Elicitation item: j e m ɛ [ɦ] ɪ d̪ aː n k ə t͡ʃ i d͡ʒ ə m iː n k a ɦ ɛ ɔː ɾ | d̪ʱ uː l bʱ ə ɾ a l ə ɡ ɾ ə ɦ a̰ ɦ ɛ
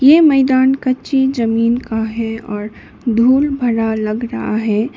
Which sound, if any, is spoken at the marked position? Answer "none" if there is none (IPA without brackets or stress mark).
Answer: none